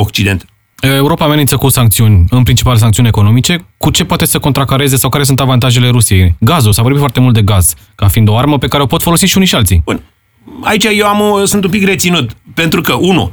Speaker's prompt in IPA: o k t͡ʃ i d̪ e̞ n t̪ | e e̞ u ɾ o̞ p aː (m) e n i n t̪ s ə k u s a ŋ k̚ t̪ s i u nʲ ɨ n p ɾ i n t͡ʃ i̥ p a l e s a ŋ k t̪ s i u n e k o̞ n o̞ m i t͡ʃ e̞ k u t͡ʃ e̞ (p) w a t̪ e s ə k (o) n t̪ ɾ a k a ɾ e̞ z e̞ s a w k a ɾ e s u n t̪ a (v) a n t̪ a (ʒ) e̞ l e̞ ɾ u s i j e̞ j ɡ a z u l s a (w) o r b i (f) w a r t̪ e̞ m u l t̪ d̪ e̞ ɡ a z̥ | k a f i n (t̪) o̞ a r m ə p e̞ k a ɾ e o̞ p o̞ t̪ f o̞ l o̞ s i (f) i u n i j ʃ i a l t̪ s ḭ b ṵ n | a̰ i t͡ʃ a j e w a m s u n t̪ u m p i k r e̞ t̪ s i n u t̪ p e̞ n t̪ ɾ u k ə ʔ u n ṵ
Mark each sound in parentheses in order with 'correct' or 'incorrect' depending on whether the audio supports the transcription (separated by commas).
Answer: correct, correct, correct, correct, correct, incorrect, correct, incorrect, incorrect